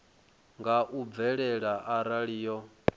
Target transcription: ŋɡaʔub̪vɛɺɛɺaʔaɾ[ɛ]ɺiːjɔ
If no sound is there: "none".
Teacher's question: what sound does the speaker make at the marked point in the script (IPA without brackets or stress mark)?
a